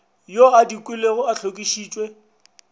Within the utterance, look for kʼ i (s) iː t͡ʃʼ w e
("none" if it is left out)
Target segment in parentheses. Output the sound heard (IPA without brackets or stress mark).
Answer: ʃ